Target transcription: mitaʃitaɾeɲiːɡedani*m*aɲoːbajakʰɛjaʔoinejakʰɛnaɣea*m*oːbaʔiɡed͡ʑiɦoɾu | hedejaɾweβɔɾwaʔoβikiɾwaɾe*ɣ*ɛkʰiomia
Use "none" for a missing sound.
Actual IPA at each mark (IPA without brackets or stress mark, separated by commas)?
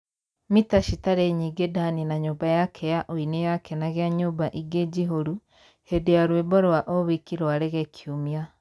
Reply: n, ɲ, ɣ